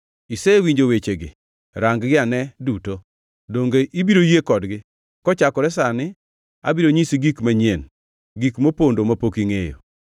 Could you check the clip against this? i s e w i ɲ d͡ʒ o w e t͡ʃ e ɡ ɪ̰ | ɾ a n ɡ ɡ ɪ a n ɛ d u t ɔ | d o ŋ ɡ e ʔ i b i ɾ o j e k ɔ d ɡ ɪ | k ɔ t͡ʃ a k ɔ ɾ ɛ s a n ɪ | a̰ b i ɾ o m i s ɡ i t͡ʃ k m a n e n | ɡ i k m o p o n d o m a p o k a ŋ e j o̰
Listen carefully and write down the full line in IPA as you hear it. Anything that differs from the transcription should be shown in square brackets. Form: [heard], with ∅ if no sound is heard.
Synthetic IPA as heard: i s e w i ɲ d͡ʒ o w e t͡ʃ e ɡ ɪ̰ | ɾ a [ŋ] ɡ ɡ ɪ a n ɛ d u t [o] | d o ŋ ɡ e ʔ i b i ɾ o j e k ɔ d ɡ ɪ | k ɔ t͡ʃ a k ɔ ɾ ɛ s a n ɪ | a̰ b i ɾ o [ɲ] i s ɡ i [∅] k m a [ɲ] e n | ɡ i k m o p o n d o m a p o k [i] ŋ e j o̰